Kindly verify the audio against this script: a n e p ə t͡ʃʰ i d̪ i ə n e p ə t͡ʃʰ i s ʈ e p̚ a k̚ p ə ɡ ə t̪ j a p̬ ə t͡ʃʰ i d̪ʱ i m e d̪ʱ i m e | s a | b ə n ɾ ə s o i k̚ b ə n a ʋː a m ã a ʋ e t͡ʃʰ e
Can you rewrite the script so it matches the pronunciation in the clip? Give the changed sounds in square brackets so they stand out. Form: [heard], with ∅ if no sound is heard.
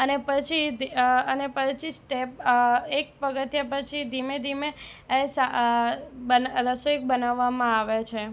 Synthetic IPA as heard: [ə] n e p ə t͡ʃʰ i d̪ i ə n e p ə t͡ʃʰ i s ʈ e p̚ [e] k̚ p ə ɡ ə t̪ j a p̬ ə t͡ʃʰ i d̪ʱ i m e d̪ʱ i m e | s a | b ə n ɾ ə s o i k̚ b ə n a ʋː a m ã a ʋ e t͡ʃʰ e